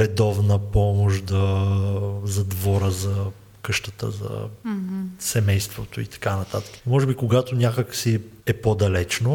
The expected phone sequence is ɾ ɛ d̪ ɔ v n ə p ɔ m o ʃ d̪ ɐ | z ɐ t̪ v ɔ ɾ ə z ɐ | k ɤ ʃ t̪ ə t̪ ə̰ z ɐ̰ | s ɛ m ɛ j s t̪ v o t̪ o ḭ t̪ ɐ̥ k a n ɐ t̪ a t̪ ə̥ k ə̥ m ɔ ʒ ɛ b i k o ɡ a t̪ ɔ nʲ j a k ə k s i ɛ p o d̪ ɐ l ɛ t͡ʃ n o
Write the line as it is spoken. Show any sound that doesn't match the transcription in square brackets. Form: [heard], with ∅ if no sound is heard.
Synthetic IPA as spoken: ɾ ɛ d̪ ɔ v n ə p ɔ m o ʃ d̪ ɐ | z ɐ [d̪] v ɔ ɾ ə z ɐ | k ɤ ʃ t̪ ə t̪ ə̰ z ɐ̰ | s ɛ m ɛ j s t̪ v o t̪ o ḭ t̪ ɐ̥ k a n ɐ t̪ a t̪ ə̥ k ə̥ m ɔ ʒ ɛ b i k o ɡ a t̪ [o] nʲ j a k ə k s i ɛ p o d̪ ɐ l ɛ t͡ʃ n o